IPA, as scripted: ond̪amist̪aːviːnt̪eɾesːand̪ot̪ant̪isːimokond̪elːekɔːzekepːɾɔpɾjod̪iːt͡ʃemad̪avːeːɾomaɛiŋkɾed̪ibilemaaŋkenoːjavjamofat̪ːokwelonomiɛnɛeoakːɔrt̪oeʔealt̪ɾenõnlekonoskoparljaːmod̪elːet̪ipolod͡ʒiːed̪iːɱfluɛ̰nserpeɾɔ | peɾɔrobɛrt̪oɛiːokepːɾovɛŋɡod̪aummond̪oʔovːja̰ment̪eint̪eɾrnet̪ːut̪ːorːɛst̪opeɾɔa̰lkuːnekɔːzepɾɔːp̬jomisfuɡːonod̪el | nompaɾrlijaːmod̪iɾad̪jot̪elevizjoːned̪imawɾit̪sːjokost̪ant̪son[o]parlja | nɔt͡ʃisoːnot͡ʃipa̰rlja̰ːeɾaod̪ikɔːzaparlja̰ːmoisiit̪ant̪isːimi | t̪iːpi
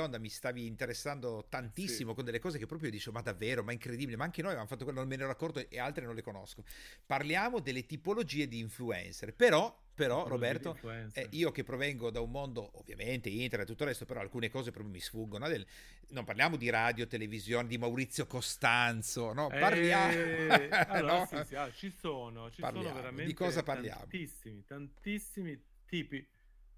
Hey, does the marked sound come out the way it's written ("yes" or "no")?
no